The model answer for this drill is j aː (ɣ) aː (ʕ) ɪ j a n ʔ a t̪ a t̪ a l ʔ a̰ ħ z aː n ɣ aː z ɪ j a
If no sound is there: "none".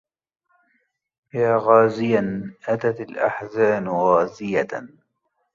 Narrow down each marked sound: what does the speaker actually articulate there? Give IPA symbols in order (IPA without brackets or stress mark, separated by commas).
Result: ɣ, z